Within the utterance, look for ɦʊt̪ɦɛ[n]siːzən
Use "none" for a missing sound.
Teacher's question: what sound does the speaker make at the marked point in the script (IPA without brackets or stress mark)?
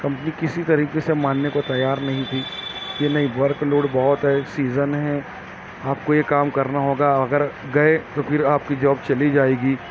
none